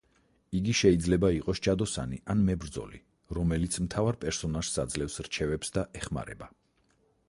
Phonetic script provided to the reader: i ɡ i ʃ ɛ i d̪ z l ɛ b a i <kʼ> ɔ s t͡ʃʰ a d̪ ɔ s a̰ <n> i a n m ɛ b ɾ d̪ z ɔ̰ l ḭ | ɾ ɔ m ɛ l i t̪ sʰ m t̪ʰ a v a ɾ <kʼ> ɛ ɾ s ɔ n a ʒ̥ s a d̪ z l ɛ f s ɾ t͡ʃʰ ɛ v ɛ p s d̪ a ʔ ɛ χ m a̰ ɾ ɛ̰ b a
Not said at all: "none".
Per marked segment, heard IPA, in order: qʼ, n, pʼ

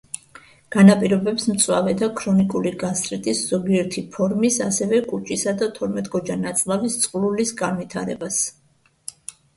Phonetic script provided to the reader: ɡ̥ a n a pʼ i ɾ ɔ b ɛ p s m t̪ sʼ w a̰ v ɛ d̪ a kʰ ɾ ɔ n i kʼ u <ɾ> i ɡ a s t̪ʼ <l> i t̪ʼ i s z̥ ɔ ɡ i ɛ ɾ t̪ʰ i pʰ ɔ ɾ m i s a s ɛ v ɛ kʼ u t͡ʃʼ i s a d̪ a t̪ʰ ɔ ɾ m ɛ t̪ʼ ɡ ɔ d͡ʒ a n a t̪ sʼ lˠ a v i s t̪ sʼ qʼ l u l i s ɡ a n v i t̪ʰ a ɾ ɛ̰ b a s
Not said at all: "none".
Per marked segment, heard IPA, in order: l, ɾ

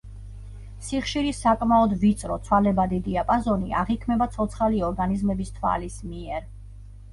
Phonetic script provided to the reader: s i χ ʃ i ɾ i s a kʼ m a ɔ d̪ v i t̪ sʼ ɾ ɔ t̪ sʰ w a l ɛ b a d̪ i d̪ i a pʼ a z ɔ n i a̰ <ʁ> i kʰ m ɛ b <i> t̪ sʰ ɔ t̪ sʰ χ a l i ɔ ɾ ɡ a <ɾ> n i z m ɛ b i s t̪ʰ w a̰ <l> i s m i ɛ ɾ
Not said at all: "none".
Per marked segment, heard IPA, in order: ʁ, a, none, l

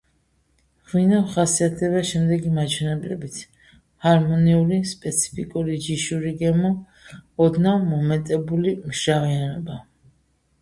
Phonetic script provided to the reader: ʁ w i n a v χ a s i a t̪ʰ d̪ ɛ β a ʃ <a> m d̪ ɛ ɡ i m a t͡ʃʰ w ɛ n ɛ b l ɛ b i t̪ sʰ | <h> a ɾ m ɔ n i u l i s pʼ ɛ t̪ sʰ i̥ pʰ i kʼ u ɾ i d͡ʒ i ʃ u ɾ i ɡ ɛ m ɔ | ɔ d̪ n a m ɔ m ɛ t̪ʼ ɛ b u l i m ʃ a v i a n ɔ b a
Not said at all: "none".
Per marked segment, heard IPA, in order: ɛ, h

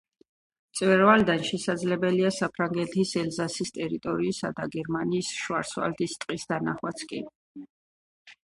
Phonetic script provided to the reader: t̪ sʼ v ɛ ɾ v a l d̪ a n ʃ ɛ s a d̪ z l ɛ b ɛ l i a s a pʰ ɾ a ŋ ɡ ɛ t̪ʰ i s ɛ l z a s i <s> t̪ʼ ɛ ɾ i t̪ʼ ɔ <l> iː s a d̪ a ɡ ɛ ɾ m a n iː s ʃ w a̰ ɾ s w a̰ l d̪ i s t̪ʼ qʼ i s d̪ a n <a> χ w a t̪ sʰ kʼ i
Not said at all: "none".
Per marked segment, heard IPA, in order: s, ɾ, a

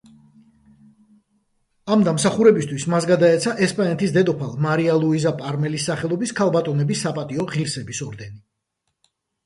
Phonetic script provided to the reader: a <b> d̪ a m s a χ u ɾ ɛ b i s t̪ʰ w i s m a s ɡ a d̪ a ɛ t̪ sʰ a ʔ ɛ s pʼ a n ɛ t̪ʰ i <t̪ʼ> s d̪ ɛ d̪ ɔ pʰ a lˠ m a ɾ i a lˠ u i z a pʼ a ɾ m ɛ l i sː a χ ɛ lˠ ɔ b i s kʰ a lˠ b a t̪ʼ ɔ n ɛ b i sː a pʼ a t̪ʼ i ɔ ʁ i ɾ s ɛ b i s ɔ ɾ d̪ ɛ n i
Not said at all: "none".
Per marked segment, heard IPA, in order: m, none

